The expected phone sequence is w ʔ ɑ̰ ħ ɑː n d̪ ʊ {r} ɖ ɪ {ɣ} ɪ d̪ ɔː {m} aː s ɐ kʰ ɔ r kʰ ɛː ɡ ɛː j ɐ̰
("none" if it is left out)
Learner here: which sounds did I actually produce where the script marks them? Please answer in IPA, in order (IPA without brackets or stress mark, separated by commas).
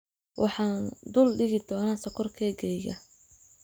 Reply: l, ɣ, n